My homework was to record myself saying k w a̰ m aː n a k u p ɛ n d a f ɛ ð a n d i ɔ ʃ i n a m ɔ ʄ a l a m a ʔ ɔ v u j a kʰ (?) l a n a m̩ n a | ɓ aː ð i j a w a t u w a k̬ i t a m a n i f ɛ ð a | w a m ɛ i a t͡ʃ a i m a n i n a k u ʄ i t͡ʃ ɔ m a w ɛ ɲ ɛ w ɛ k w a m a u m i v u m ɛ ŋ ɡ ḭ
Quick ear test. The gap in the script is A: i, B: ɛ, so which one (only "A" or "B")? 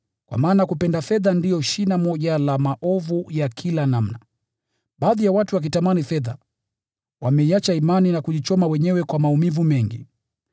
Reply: A